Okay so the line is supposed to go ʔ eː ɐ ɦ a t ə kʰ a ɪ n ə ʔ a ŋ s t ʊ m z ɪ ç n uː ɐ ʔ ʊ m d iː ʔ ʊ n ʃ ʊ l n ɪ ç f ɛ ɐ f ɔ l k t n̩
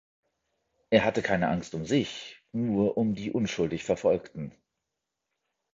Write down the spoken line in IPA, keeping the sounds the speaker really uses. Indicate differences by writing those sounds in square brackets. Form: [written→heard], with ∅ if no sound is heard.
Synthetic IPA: ʔ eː ɐ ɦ a t ə kʰ a ɪ n ə ʔ a ŋ s t ʊ m z ɪ ç n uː ɐ ʔ ʊ m d iː ʔ ʊ n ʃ ʊ l [n→d] ɪ ç f ɛ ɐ f ɔ l k t n̩